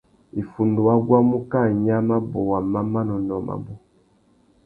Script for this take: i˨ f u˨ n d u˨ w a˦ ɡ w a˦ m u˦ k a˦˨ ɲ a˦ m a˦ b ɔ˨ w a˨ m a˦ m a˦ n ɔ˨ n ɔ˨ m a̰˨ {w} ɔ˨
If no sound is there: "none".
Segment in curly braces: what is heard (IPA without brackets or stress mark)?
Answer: b